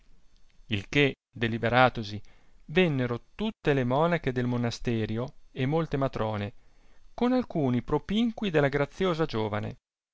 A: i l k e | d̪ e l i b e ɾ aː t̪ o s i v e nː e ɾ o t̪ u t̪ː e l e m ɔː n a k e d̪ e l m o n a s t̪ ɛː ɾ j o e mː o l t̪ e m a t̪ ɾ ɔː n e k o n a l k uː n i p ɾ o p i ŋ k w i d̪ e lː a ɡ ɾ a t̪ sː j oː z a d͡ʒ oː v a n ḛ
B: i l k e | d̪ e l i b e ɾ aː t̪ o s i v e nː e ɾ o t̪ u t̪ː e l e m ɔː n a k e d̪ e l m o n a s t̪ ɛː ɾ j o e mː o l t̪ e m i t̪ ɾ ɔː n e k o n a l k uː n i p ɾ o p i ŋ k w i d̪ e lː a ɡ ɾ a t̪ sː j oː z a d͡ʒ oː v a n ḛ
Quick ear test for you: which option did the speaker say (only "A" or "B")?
A